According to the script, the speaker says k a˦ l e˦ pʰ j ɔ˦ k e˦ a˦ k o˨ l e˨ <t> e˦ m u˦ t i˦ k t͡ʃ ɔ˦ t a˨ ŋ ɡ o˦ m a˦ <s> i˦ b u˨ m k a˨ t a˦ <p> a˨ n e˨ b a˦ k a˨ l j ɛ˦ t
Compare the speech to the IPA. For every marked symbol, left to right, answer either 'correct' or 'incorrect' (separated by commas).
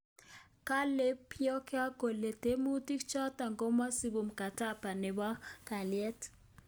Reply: correct, correct, correct